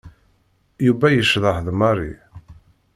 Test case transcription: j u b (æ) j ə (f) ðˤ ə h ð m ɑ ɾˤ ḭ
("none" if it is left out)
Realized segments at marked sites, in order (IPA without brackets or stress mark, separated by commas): æ, ʃ